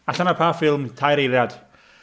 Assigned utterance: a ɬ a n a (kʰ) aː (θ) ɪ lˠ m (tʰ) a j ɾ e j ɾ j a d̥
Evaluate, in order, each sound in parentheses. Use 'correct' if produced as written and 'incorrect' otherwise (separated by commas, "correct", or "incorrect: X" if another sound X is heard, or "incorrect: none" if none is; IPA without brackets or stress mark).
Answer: incorrect: pʰ, incorrect: f, correct